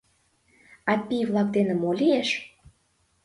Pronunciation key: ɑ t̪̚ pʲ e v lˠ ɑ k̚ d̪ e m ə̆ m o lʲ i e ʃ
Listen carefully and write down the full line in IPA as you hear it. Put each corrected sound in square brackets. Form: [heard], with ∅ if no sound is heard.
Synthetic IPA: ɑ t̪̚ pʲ [i] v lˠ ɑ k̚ d̪ e [n] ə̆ m o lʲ i e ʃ